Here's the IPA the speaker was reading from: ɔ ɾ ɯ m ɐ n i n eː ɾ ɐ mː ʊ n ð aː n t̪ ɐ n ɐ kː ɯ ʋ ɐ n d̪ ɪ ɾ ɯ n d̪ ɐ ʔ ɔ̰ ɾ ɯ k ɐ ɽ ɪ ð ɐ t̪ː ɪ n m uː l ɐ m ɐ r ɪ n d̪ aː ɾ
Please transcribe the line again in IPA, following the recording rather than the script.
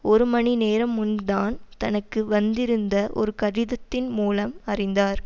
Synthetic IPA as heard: ɔ ɾ ɯ m ɐ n i n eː ɾ ɐ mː ʊ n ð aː n t̪ ɐ n ɐ kː ɯ ʋ ɐ n d̪ ɪ ɾ ɯ n d̪ ɐ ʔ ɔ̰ ɾ ɯ k ɐ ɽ ɪ ð ɐ t̪ː ɪ n m uː l ɐ m ɐ r ɪ n d̪ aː ɾ